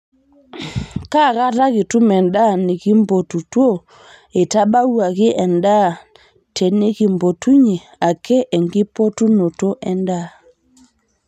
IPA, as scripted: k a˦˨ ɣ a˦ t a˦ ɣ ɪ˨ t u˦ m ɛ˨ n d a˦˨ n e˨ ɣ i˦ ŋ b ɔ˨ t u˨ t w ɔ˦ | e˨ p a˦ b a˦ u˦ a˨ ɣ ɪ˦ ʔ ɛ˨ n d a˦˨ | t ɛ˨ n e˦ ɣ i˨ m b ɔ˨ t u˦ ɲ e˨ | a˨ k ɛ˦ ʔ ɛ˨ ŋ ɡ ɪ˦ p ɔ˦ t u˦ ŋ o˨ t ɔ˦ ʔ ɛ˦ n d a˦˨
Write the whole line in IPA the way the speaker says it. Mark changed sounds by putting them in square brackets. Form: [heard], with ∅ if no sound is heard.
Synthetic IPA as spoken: k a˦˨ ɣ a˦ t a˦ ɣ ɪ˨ t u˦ m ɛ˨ n d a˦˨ n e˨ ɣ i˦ [m] b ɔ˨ t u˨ t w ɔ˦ | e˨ [t] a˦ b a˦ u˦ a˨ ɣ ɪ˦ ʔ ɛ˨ n d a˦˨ | t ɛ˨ n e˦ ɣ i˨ m b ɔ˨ t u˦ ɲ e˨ | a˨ k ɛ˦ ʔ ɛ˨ ŋ ɡ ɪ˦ p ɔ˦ t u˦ [n] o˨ t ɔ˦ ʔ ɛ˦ n d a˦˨